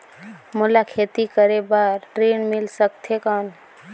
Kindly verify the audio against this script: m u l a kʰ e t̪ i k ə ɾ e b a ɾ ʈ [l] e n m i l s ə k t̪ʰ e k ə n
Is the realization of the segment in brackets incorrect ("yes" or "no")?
yes